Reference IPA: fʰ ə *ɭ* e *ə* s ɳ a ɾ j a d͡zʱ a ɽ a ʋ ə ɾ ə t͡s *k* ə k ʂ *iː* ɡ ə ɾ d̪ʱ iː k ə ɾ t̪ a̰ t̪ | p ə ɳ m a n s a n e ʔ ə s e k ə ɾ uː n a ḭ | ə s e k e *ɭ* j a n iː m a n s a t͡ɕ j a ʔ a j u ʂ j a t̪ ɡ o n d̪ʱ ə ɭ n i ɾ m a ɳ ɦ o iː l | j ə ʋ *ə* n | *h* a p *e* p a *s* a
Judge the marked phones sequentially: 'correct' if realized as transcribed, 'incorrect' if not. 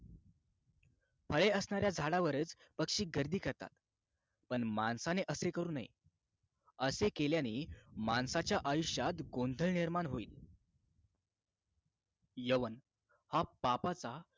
correct, correct, incorrect: p, correct, incorrect: l, correct, correct, incorrect: a, incorrect: t͡s

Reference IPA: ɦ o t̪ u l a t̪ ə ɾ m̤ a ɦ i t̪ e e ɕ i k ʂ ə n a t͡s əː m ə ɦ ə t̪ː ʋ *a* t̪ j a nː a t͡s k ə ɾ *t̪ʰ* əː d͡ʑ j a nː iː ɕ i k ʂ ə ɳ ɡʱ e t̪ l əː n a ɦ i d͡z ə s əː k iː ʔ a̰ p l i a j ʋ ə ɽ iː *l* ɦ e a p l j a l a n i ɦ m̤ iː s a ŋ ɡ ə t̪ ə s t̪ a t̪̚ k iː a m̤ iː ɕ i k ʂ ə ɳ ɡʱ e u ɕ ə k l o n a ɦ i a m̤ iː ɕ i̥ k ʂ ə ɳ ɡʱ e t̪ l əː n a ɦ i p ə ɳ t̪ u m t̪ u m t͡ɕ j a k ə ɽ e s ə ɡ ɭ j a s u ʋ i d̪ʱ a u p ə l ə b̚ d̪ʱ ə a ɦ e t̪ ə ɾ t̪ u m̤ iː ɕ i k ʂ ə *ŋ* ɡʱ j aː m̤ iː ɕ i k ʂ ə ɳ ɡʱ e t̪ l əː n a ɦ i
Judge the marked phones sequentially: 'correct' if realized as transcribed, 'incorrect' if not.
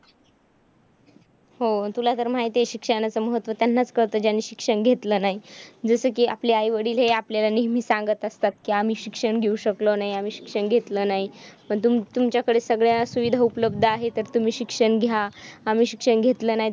incorrect: ə, incorrect: t̪, correct, incorrect: ɳ

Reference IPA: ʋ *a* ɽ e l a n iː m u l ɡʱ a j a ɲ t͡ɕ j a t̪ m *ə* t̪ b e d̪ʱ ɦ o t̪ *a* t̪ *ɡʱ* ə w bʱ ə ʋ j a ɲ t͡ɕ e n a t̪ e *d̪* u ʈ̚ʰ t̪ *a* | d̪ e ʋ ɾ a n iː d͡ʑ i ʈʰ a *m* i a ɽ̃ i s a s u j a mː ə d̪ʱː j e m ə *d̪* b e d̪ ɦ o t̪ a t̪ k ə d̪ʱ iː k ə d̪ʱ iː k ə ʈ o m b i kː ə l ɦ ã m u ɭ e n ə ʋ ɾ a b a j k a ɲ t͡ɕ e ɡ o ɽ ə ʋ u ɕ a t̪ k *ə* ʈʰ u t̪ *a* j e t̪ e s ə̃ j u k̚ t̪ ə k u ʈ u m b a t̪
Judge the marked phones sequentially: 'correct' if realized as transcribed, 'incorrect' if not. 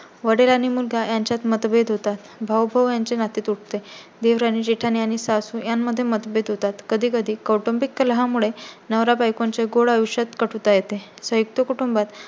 incorrect: ə, correct, correct, incorrect: bʱ, incorrect: t̪, incorrect: e, incorrect: n, incorrect: t̪, correct, correct

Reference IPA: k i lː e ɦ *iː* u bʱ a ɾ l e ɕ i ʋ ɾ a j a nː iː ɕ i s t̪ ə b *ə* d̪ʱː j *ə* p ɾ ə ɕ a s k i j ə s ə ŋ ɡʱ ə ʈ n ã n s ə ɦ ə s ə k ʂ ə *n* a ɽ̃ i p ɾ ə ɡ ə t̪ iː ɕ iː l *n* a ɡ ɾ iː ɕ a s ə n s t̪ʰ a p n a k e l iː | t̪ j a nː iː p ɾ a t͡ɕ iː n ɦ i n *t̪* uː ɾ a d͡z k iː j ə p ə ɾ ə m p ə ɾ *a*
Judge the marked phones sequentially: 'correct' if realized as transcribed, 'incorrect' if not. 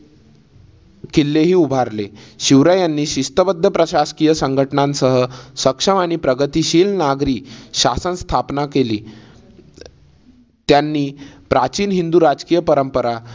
correct, correct, correct, incorrect: m, correct, incorrect: d̪, correct

